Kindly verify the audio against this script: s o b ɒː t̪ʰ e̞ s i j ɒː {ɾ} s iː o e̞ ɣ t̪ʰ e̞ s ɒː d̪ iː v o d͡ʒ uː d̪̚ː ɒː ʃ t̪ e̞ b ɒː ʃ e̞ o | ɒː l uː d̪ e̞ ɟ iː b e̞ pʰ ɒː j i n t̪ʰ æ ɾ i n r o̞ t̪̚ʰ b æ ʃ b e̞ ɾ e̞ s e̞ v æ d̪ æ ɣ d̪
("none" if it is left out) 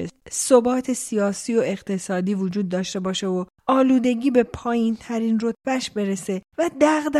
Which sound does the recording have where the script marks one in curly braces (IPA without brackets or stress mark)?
none